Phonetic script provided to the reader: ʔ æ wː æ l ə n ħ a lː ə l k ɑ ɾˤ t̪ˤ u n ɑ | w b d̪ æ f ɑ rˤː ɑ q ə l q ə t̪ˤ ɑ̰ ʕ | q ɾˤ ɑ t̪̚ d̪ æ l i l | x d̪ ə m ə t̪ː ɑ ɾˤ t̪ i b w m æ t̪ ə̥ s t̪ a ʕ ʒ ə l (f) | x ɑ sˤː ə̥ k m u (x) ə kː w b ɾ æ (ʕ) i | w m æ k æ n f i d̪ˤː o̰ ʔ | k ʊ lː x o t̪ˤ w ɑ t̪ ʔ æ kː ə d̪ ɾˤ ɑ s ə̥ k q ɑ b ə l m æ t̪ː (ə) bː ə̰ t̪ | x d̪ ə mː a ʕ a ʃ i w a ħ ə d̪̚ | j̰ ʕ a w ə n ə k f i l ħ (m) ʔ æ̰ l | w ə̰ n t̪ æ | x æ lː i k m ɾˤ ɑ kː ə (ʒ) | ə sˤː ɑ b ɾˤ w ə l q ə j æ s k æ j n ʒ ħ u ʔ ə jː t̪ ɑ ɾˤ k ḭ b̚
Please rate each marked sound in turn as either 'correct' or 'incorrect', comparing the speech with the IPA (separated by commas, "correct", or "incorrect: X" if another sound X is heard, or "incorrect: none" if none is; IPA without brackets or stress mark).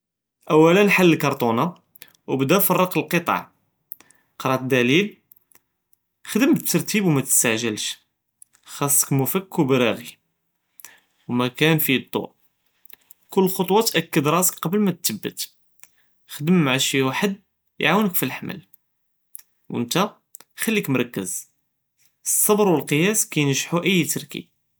incorrect: ʃ, incorrect: f, incorrect: ɣ, correct, correct, incorrect: z